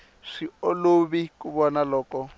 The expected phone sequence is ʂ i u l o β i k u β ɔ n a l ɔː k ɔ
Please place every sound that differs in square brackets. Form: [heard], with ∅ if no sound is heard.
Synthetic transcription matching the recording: ʂ i [o] l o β i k u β ɔ n a l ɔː k ɔ